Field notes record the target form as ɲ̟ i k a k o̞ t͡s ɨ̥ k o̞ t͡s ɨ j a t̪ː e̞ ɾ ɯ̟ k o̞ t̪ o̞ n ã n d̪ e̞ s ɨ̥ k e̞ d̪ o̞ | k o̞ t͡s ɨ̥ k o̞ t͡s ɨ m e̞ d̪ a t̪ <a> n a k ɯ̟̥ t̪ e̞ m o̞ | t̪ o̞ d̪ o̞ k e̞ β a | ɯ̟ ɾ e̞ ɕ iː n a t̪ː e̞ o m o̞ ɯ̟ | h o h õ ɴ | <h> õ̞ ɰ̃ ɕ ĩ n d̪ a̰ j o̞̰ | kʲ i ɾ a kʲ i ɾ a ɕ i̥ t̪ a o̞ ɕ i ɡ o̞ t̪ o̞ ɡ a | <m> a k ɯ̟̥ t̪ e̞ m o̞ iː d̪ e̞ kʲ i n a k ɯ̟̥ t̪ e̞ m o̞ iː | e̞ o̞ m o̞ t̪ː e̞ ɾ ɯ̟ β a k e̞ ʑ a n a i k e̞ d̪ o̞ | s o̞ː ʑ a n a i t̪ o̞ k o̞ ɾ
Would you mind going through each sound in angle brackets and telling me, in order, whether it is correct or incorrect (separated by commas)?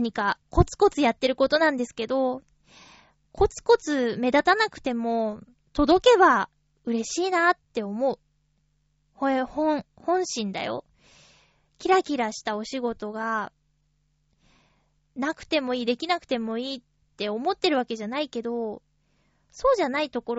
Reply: correct, correct, incorrect